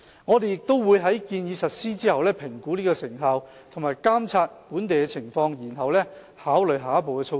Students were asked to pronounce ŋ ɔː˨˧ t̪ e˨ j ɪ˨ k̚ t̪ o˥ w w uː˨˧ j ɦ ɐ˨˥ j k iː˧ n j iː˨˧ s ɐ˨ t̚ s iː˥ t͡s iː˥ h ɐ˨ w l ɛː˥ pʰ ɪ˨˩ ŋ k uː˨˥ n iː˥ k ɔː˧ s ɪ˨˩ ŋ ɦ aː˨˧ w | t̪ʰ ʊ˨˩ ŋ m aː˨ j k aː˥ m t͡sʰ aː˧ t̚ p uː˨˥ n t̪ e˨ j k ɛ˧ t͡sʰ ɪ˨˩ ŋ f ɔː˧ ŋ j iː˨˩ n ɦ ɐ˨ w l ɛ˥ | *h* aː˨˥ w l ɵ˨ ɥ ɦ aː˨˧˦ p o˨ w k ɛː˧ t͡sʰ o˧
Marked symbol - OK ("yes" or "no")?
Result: yes